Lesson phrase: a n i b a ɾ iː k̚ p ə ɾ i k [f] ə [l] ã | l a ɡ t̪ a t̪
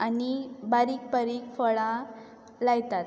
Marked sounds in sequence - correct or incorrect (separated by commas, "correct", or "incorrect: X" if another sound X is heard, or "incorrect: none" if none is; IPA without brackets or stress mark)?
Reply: correct, incorrect: ɭ